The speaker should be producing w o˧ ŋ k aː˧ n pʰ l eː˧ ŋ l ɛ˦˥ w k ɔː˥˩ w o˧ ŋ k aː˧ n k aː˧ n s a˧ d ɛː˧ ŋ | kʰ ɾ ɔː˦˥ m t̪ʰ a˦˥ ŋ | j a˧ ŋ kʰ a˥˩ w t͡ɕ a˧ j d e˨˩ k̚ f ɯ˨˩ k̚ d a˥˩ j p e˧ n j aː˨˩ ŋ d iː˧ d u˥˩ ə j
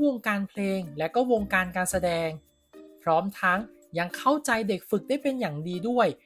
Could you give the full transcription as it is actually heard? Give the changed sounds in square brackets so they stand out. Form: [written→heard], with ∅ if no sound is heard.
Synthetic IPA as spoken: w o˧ ŋ k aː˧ n pʰ l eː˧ ŋ l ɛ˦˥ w k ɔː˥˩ w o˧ ŋ k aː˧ n k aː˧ n s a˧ d ɛː˧ ŋ | [kʰ→pʰ] ɾ ɔː˦˥ m t̪ʰ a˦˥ ŋ | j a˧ ŋ kʰ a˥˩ w t͡ɕ a˧ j d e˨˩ k̚ f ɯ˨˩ k̚ d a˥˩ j p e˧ n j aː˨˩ ŋ d iː˧ d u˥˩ ə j